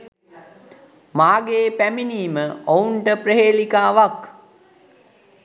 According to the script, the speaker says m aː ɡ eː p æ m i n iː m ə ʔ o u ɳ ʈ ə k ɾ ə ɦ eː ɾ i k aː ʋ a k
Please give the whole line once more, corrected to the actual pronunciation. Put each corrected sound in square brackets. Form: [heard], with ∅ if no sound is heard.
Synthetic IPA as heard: m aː ɡ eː p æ m i n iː m ə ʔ o u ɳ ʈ ə [p] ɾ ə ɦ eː [l] i k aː ʋ a k